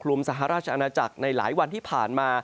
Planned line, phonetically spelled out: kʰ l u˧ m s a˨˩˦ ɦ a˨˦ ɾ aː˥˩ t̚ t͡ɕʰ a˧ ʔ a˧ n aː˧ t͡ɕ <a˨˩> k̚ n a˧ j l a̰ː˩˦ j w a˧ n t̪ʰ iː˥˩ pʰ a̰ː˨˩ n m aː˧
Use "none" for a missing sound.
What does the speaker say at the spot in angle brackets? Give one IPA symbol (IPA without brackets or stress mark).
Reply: a˨˩